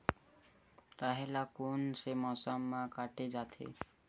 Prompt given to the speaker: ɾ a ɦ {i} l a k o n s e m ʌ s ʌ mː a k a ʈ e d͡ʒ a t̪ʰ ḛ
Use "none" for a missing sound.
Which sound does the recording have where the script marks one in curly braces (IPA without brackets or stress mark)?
e